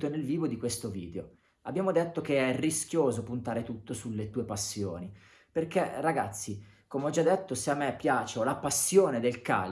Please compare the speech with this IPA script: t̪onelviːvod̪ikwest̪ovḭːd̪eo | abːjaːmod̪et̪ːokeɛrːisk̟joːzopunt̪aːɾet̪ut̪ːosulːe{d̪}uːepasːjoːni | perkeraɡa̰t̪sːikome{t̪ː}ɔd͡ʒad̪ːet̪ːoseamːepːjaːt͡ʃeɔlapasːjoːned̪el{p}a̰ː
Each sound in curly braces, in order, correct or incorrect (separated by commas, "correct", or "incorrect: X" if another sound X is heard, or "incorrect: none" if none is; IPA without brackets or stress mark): incorrect: t̪, incorrect: none, incorrect: k